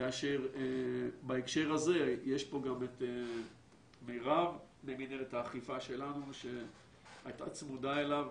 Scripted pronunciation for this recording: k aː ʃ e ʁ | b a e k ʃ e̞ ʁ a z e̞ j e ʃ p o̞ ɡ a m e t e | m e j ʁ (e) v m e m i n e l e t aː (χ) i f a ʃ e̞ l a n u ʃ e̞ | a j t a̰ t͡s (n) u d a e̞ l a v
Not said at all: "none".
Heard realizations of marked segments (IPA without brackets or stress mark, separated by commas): a, χ, m